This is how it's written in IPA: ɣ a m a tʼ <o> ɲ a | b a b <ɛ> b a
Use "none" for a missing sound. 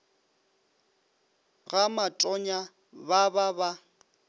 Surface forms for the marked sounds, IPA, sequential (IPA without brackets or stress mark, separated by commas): ɔ, a